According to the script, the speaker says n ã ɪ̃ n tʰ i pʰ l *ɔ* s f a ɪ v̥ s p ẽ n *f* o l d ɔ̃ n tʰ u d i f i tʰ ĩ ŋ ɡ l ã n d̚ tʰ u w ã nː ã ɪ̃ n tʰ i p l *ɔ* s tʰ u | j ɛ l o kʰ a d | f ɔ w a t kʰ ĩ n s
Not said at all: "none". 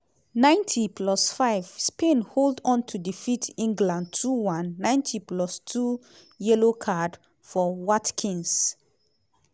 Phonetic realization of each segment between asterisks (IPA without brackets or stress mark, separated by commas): ɔ, h, ɔ